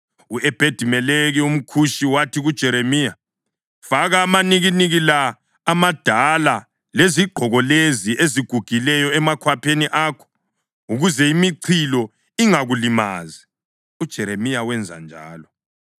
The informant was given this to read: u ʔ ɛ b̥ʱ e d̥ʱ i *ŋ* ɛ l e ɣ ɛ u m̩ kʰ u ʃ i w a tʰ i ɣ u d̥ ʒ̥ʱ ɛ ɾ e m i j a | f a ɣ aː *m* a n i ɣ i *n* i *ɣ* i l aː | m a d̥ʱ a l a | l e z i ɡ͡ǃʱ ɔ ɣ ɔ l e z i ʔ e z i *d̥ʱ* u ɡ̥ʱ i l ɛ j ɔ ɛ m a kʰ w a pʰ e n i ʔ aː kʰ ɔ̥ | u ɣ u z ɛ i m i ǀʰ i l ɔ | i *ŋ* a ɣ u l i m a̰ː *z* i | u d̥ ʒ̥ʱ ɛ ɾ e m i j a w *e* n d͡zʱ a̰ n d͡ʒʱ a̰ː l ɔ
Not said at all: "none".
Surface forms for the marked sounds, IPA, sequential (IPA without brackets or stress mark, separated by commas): m, m, n, ɣ, ɡ̥ʱ, ŋ, z, ɛ